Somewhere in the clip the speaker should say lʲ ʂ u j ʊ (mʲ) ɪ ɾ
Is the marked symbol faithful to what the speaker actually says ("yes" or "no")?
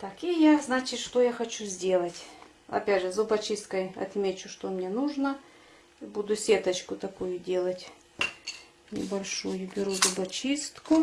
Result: no